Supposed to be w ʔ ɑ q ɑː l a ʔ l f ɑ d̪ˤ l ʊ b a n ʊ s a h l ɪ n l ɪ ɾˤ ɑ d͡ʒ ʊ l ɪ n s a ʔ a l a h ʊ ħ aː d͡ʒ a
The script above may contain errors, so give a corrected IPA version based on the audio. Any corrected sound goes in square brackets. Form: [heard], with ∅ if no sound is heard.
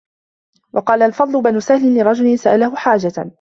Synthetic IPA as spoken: w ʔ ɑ q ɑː l a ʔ l f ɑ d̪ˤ l ʊ b a n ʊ s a h l ɪ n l ɪ ɾˤ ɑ d͡ʒ ʊ l ɪ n s a ʔ a l a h ʊ ħ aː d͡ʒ a